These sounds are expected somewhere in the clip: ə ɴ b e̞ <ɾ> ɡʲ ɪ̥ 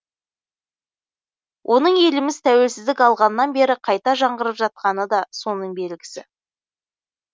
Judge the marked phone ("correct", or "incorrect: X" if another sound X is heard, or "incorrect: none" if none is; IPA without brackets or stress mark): incorrect: l